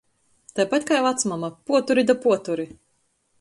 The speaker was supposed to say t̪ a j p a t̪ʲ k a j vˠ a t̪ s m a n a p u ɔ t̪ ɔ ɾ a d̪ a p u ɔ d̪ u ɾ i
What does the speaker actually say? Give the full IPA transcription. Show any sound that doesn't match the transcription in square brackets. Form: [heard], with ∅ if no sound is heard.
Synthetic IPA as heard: t̪ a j p a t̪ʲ k a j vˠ a t̪ s m a [m] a p u ɔ t̪ [u] ɾ [i] d̪ a p u ɔ [t̪] u ɾ i